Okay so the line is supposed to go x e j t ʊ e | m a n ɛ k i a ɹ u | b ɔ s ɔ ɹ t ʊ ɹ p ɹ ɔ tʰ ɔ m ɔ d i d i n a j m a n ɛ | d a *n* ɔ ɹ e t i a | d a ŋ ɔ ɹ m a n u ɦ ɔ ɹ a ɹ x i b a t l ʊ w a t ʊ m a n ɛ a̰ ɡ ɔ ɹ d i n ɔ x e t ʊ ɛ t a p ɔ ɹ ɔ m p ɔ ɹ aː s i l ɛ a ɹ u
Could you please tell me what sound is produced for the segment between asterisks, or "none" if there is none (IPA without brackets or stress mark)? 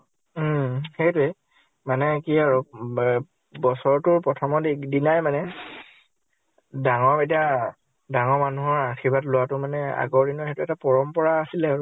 ŋ